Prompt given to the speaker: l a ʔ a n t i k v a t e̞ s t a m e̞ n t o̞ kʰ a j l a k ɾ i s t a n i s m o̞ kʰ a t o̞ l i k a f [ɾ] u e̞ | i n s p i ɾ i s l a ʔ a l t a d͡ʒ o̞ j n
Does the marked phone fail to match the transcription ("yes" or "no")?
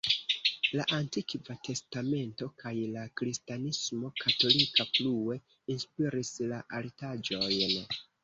yes